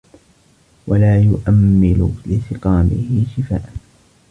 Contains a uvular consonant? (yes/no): yes